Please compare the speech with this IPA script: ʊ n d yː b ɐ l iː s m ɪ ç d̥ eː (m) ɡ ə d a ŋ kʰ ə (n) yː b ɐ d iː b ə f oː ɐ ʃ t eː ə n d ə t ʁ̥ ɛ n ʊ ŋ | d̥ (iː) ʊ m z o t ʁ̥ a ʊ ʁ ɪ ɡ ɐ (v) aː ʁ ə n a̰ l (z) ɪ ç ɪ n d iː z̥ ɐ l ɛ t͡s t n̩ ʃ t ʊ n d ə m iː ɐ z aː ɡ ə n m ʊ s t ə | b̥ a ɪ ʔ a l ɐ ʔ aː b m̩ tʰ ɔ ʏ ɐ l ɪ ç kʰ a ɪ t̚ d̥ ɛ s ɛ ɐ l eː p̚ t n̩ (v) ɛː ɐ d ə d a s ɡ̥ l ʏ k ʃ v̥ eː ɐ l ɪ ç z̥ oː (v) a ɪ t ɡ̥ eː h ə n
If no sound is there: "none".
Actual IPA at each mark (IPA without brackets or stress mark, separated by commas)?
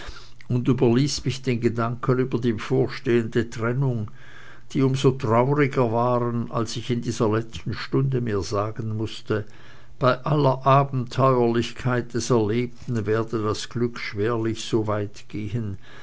n, n, iː, v, s, v, v